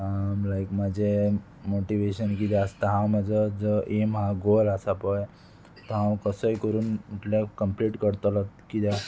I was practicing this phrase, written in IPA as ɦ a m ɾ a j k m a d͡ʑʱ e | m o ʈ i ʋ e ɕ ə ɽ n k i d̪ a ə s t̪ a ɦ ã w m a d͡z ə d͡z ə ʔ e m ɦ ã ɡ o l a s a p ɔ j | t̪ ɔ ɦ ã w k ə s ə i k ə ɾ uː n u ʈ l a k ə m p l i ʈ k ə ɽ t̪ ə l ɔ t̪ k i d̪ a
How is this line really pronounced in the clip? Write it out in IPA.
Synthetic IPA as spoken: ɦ a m l a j k m a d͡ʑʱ e | m o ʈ i ʋ e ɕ ə n k i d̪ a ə s t̪ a ɦ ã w m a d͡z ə d͡z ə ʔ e m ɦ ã ɡ o l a s a p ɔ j | t̪ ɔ ɦ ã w k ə s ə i k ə ɾ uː n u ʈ l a k ə m p l i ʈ k ə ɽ t̪ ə l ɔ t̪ k i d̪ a